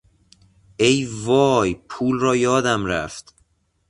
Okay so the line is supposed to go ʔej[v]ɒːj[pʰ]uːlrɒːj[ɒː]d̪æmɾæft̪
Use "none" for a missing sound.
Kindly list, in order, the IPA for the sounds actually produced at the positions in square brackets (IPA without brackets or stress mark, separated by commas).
v, pʰ, ɒː